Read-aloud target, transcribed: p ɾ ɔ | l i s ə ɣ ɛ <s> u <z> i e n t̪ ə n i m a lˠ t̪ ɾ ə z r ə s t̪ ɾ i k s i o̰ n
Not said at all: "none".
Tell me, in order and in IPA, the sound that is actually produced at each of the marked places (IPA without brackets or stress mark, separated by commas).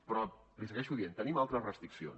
ʃ, ð